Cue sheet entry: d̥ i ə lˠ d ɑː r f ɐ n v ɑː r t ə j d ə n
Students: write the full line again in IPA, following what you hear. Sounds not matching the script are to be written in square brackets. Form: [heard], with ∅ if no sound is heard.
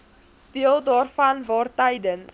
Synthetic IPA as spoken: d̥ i ə lˠ d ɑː r f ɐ n v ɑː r t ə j d ə n